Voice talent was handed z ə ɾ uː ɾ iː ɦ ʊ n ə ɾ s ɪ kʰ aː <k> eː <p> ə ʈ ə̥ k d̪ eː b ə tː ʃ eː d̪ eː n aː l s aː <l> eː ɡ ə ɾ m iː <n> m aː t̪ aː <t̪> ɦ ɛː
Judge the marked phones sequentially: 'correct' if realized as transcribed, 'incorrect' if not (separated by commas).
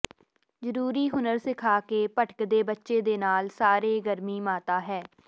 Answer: correct, correct, incorrect, incorrect, incorrect